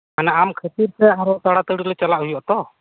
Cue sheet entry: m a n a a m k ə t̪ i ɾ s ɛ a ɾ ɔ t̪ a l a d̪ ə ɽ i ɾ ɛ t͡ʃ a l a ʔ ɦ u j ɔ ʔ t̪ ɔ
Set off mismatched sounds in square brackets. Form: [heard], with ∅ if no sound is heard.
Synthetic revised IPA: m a n a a m [kʰ] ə t̪ i ɾ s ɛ a ɾ ɔ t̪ a [ɽ] a [t̪] ə ɽ i [l] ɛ t͡ʃ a l a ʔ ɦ u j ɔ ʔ t̪ ɔ

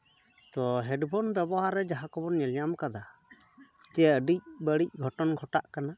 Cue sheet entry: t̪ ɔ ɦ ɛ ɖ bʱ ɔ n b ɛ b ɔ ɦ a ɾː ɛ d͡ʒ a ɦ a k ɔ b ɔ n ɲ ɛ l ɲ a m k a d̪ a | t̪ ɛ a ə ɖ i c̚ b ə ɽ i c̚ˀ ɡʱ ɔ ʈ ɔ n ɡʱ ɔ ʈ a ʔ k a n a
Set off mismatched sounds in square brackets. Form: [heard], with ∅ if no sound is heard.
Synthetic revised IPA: t̪ ɔ ɦ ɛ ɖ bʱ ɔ n b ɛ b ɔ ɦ a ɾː ɛ d͡ʒ a ɦ a k ɔ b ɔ n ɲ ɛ l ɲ a m k a d̪ a | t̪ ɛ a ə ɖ i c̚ b ə ɽ i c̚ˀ ɡʱ ɔ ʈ ɔ n ɡʱ ɔ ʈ a ʔ k a n a

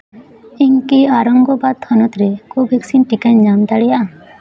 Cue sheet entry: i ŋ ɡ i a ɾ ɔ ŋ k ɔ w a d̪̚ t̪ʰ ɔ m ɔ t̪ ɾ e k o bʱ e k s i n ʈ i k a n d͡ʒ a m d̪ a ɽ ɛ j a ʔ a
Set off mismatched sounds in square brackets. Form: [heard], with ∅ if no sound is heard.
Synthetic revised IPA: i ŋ [k] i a ɾ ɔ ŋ [ɡ] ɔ [b] a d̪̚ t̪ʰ ɔ [n] ɔ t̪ ɾ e k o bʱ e k s i n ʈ i k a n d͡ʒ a m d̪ a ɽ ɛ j a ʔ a

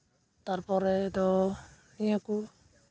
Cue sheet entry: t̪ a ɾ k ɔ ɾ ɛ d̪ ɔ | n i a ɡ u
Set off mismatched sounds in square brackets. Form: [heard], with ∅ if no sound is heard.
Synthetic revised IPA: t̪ a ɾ [p] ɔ ɾ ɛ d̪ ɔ | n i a [k] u

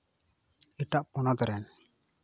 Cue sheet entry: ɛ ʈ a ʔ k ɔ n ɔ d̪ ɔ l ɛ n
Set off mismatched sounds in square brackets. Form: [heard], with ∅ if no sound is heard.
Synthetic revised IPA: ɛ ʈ a ʔ [p] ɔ n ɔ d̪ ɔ [ɾ] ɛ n

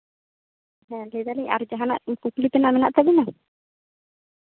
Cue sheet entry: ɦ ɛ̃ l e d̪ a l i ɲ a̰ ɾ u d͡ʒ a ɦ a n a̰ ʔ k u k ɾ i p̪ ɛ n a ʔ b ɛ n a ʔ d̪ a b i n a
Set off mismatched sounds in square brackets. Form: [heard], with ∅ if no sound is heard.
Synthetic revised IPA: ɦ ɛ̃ l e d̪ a l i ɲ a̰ ɾ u d͡ʒ a ɦ a n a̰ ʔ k u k [l] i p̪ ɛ n a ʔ [m] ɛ n a ʔ [t̪] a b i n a

